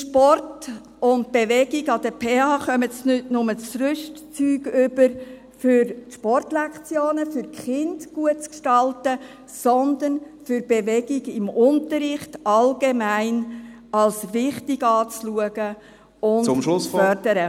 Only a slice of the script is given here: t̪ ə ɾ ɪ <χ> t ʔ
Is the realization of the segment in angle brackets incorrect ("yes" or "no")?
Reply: no